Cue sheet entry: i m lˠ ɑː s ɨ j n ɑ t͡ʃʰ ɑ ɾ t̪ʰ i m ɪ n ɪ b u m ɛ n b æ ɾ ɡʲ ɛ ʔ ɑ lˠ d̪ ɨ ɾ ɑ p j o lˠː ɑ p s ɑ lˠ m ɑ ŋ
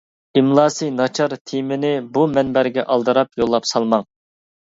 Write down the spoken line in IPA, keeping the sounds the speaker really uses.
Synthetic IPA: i m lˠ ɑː s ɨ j n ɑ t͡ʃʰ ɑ ɾ t̪ʰ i m ɪ n ɪ b u m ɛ n b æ ɾ ɡʲ ɛ ʔ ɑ lˠ d̪ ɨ ɾ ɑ p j o lˠː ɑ p s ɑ lˠ m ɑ ŋ